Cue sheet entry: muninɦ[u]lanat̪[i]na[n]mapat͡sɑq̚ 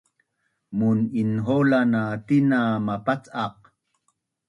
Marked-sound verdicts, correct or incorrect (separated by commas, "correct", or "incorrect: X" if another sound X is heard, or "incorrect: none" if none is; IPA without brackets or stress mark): incorrect: o, correct, incorrect: none